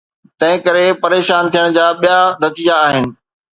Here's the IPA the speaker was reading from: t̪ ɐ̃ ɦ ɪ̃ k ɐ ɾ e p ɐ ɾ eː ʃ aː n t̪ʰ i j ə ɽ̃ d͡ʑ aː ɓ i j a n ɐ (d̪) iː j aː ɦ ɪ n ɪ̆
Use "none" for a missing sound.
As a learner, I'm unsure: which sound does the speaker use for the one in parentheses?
t̪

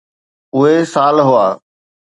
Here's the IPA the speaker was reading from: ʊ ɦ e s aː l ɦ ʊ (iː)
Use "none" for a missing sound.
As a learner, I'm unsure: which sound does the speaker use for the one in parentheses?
aː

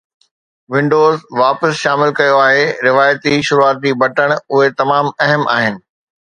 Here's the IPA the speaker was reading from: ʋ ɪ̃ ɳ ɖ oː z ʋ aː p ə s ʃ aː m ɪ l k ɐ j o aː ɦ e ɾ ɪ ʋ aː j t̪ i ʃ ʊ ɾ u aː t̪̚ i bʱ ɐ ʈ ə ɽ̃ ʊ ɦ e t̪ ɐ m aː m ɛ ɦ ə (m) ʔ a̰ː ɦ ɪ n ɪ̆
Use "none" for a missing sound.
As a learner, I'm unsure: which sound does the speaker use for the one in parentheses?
m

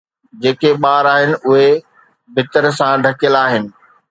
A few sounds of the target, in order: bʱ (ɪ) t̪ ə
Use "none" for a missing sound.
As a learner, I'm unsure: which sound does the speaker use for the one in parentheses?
ɪ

